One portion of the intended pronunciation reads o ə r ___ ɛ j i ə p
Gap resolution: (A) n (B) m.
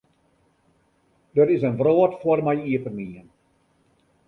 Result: B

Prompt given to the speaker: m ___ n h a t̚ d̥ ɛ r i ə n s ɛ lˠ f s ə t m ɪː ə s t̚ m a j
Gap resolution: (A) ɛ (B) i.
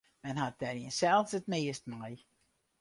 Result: A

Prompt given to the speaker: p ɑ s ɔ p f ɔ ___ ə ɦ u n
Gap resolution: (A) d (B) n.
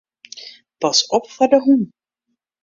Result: A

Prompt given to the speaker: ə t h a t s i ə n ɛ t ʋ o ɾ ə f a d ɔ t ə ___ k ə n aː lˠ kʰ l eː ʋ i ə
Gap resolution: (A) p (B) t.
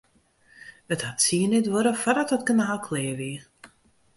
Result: B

